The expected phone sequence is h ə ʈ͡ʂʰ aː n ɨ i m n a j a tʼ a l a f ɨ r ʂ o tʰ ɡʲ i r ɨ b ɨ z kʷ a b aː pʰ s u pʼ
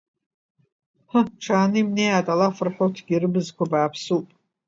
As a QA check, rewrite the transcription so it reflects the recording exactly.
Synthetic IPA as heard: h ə ʈ͡ʂʰ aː n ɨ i m n e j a tʼ a l a f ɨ r ħ o tʰ ɡʲ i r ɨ b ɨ z kʷ a b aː pʰ s u pʼ